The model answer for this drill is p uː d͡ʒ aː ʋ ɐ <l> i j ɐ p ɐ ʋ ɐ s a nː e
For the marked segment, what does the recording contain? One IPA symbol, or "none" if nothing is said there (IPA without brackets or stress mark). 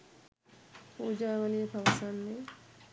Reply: l